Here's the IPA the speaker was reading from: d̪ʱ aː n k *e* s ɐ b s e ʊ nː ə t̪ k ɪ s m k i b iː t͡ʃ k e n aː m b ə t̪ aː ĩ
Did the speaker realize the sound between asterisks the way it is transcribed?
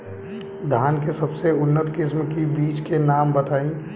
yes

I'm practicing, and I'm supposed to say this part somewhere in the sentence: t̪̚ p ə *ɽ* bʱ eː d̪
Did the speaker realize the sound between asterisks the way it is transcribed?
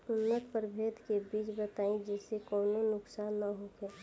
no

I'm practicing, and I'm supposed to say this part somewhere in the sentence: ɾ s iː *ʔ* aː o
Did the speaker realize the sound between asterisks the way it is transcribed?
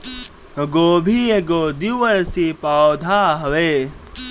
no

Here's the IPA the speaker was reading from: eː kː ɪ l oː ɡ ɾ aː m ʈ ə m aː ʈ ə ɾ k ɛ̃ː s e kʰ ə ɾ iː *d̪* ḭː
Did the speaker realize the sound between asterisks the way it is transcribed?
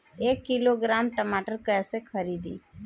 yes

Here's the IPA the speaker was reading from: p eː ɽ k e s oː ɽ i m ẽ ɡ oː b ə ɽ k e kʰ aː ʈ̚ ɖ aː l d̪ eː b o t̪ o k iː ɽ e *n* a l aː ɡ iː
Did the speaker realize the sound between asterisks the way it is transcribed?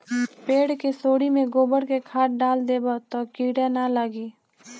yes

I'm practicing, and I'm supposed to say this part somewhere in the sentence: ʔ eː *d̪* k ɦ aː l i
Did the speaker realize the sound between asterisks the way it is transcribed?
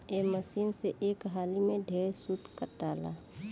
no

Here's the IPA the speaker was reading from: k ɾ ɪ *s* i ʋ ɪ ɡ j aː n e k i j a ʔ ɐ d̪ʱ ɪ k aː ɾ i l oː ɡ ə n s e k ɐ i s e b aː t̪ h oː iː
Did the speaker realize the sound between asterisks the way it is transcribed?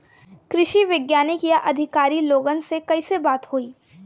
no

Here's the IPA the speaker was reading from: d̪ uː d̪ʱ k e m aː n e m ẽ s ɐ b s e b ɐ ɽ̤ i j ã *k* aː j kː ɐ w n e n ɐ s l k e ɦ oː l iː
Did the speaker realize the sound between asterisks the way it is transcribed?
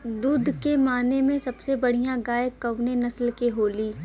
no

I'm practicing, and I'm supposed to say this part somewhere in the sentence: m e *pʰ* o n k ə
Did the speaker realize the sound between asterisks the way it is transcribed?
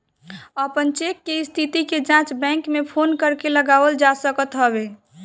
yes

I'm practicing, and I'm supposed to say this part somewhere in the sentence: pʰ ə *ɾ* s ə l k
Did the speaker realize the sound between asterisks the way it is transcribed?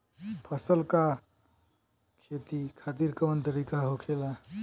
no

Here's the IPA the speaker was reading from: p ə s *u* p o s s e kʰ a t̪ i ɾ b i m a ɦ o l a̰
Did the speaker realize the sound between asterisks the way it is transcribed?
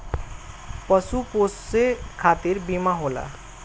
yes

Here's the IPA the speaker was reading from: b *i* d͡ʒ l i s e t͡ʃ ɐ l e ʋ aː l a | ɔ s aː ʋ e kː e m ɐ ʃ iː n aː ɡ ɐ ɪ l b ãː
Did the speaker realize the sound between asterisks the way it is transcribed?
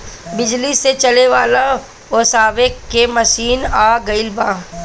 no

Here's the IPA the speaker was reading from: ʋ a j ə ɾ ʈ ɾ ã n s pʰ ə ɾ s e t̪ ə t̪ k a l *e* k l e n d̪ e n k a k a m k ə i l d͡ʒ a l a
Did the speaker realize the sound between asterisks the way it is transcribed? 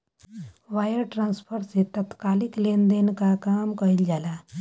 no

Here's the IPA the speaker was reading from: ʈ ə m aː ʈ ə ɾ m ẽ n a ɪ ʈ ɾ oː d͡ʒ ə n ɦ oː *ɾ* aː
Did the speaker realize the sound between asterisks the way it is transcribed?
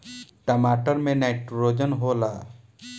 no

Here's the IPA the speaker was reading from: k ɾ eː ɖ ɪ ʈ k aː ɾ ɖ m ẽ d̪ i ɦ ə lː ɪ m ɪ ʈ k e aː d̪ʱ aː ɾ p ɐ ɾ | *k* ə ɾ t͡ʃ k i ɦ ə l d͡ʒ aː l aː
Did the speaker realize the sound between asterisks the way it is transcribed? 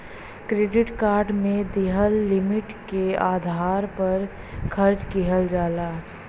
no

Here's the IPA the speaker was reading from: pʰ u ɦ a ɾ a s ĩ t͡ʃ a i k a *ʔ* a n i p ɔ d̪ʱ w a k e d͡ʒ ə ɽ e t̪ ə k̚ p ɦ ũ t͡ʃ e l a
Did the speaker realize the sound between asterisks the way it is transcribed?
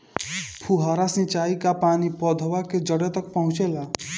no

